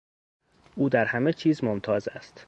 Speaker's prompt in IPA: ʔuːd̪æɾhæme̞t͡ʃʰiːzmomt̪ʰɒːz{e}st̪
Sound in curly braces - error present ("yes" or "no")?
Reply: yes